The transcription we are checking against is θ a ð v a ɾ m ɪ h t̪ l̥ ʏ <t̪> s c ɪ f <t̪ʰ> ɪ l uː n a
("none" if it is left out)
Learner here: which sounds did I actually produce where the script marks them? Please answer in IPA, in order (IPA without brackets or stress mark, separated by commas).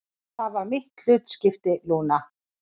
t̪, t̪